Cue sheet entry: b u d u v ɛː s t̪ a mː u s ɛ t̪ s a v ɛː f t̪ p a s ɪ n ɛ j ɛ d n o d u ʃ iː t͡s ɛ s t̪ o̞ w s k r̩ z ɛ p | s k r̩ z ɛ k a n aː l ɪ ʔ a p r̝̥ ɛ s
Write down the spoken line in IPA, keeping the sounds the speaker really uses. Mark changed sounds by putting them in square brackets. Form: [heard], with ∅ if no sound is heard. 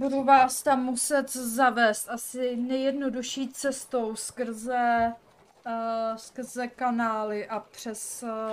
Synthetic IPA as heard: b u d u v [aː] s t̪ a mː u s ɛ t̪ [z] a v ɛː [s] t̪ [ʔ] a s ɪ n ɛ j ɛ d n o d u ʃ iː t͡s ɛ s t̪ o̞ w s k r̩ z ɛ [∅] | s k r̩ z ɛ k a n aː l ɪ ʔ a p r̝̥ ɛ s